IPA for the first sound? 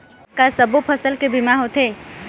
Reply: k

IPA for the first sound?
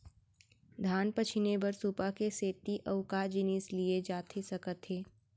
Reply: d̪ʱ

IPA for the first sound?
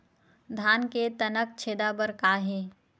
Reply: d̪ʱ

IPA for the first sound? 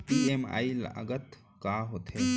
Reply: p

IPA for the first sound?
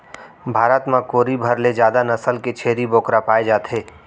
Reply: bʱ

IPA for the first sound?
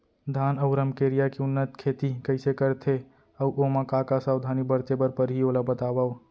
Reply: d̪ʱ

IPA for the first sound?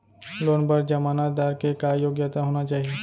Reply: l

